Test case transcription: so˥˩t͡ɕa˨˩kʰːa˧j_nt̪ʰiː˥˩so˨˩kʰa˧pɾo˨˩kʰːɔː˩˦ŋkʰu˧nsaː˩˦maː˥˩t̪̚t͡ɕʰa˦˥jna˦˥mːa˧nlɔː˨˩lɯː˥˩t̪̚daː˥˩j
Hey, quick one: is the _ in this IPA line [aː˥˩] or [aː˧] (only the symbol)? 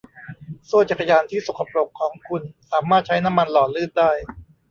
aː˧